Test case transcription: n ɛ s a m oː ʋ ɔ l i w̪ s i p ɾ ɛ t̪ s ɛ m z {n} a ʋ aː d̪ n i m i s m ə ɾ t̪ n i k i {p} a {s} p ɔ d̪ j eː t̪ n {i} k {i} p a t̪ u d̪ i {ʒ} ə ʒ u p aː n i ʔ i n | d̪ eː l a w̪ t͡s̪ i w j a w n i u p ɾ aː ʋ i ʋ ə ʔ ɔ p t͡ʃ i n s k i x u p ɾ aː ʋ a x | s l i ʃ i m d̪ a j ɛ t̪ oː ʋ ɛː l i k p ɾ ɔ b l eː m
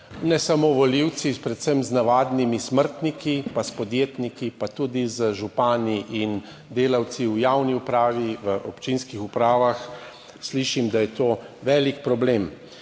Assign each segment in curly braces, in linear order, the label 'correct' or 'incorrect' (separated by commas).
correct, correct, correct, correct, correct, incorrect